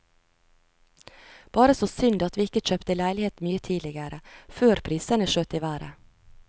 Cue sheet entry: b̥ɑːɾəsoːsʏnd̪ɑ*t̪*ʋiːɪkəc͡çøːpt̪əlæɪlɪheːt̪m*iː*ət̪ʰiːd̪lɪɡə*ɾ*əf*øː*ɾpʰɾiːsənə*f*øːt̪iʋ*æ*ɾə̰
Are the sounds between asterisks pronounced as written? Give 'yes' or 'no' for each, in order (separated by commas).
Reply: yes, no, yes, yes, no, no